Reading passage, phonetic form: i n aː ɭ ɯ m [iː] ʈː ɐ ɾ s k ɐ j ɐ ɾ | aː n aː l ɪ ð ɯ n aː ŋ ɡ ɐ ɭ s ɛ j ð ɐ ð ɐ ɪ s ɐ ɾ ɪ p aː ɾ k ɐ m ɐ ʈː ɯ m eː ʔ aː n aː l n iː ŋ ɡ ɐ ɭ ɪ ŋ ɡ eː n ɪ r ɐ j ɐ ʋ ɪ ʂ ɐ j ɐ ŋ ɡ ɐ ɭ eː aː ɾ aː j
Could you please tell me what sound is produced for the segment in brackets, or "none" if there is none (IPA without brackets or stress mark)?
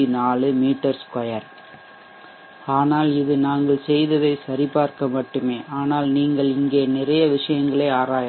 iː